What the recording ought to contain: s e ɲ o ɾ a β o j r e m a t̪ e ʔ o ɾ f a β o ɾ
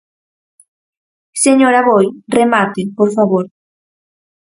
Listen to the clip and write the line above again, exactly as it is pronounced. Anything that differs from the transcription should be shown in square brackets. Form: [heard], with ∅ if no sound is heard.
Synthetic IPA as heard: s e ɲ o ɾ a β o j r e m a t̪ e [p] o ɾ f a β o ɾ